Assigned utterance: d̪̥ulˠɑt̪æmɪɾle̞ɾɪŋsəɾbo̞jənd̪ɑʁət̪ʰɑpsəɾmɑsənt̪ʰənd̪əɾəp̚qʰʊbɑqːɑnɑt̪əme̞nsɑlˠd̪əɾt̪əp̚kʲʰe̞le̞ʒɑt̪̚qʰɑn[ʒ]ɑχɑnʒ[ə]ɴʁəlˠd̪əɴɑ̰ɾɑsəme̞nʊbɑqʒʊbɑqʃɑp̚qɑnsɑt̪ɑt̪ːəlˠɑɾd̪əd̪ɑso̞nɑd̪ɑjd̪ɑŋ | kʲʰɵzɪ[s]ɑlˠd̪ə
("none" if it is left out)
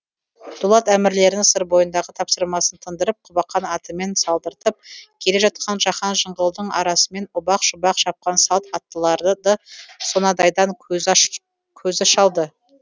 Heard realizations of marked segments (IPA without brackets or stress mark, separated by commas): ʒ, ə, ʃ